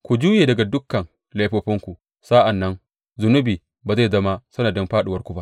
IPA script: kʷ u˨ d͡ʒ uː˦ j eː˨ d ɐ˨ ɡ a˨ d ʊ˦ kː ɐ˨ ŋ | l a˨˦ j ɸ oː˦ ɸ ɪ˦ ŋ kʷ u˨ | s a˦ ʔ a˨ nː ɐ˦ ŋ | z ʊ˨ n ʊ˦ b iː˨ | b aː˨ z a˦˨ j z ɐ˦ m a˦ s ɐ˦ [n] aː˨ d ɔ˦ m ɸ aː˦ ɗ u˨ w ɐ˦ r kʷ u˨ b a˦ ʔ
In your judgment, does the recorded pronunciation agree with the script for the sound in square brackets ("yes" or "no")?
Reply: yes